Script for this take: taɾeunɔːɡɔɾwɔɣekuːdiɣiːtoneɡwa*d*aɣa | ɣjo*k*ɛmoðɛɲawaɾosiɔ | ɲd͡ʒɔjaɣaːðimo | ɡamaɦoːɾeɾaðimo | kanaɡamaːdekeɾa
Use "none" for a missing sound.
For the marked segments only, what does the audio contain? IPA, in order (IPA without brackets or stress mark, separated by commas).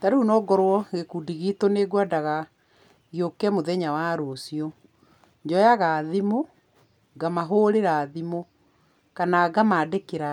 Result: d, k